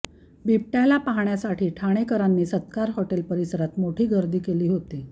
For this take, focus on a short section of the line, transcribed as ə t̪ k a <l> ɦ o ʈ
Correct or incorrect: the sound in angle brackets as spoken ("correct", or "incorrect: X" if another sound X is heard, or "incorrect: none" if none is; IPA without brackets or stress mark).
incorrect: ɾ